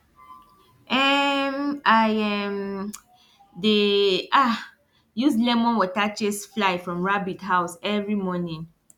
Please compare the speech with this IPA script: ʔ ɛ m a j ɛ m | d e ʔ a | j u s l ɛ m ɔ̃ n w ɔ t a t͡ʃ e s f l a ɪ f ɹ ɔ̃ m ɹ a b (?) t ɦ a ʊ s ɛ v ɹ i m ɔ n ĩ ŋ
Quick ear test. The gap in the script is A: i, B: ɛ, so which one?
A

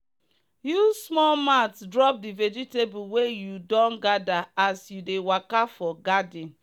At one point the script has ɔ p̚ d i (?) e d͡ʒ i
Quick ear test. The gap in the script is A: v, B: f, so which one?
A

